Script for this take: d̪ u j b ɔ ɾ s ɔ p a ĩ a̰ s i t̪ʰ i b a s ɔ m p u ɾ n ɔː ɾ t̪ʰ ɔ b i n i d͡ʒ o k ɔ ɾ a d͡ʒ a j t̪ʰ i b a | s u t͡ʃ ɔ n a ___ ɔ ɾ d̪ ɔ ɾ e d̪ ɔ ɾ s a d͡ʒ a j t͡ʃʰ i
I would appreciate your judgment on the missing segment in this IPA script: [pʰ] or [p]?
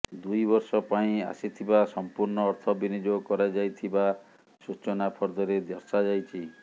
pʰ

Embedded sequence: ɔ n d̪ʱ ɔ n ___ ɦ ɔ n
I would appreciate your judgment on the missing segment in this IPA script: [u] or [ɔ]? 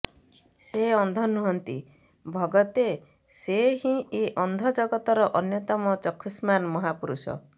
u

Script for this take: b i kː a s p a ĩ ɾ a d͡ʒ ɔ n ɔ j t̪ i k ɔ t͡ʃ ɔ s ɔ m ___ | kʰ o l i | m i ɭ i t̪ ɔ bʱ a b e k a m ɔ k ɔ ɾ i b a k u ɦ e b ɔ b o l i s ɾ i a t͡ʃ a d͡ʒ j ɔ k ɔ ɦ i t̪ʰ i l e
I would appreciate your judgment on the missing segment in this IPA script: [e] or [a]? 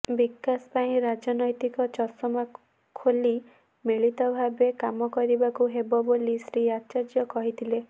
a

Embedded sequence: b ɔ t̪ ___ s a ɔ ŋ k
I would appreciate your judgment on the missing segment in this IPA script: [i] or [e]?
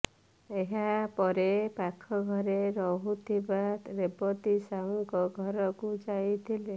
i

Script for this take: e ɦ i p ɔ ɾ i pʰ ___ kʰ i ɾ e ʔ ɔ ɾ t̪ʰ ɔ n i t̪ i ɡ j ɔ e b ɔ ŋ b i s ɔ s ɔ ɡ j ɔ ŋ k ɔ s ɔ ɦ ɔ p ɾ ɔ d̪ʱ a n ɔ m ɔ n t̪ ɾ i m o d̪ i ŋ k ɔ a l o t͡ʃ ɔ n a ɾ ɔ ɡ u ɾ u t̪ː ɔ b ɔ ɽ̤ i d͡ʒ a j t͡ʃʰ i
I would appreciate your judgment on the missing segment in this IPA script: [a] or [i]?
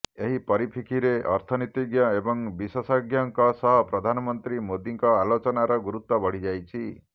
i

